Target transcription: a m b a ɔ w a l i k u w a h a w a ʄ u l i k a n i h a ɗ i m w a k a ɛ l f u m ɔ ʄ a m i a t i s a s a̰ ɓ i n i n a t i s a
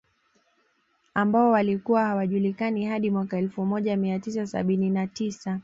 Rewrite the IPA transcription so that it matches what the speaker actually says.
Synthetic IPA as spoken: a m b a ɔ w a l i k u w a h a w a ʄ u l i k a n i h a ɗ i m w a k a ɛ l f u m ɔ ʄ a m i a t i s a s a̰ ɓ i n i n a t i s a

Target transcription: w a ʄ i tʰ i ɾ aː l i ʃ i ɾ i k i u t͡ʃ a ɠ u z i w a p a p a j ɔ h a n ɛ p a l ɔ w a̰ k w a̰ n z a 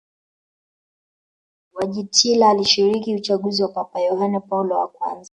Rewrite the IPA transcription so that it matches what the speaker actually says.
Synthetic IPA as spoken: w a ʄ i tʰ i l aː l i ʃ i ɾ i k i u t͡ʃ a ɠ u z i w a p a p a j ɔ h a n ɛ p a l ɔ w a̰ k w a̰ n z a

